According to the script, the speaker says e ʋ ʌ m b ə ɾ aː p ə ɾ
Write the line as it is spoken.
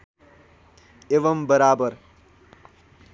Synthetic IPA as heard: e ʋ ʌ m b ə ɾ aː b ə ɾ